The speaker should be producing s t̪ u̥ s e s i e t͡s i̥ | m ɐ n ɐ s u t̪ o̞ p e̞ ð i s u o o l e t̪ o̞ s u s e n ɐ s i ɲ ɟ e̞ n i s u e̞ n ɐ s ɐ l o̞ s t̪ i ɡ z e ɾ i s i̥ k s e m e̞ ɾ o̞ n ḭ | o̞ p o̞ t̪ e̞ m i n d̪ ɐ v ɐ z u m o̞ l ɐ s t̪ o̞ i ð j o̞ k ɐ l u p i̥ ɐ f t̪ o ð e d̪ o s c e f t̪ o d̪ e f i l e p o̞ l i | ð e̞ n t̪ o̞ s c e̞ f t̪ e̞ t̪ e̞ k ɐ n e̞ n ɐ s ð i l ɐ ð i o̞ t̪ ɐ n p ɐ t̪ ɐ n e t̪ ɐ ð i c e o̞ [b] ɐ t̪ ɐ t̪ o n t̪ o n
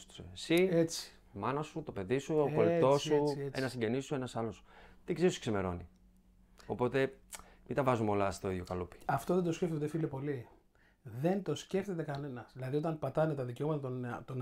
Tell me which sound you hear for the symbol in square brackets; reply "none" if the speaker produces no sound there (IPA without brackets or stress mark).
m